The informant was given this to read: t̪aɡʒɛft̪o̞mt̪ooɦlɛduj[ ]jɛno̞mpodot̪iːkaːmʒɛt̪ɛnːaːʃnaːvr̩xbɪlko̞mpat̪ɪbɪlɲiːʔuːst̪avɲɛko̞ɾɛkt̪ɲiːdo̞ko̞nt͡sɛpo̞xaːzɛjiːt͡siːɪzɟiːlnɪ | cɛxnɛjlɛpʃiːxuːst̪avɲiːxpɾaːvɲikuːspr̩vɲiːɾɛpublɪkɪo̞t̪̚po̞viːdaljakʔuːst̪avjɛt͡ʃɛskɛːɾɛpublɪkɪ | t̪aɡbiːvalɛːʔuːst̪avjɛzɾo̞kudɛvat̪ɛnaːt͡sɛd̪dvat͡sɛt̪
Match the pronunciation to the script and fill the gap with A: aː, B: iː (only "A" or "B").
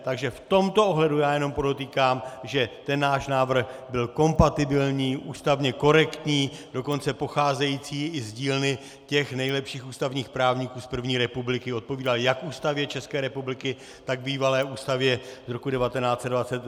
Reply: A